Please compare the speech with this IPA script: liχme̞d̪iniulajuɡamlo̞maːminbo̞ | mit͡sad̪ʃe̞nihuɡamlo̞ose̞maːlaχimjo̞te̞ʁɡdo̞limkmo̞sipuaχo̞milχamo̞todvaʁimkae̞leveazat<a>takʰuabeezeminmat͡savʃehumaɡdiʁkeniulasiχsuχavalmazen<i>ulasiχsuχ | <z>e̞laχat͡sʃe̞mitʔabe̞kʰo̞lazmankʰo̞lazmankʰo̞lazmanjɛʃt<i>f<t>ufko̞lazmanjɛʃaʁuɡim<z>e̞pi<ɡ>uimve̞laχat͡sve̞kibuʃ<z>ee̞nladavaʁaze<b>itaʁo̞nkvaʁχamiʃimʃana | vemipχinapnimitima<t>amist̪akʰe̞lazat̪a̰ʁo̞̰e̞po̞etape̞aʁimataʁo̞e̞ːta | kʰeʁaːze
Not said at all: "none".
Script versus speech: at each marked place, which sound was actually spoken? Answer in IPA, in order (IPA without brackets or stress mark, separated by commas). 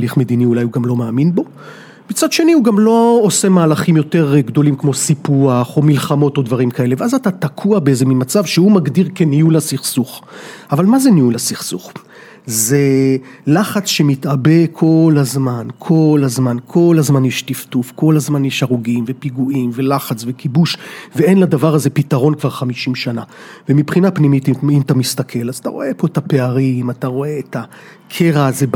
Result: a, i, z, i, t, v, ɡ, v, p, t